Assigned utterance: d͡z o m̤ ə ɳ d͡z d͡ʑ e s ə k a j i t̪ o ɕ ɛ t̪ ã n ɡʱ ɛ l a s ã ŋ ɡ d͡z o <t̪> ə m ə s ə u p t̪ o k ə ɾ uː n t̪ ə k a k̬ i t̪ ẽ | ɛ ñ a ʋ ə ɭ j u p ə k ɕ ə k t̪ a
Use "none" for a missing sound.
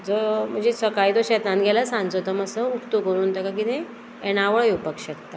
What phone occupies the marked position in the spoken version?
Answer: t̪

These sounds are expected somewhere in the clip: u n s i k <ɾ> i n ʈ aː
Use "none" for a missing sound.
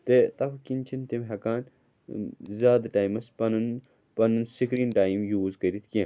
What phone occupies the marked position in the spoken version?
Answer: ɾ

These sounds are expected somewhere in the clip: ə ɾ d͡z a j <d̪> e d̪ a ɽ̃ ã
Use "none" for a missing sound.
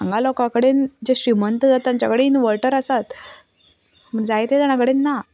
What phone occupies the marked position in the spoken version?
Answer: t̪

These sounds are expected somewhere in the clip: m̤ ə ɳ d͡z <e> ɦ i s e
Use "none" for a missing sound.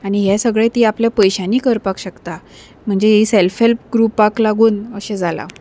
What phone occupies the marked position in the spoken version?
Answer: e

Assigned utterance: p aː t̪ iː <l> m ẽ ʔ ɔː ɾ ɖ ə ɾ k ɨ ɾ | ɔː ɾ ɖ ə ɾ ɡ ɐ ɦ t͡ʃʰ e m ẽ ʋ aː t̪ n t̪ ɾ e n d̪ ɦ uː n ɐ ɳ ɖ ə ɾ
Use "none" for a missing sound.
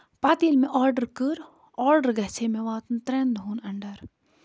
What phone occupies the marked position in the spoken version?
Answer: l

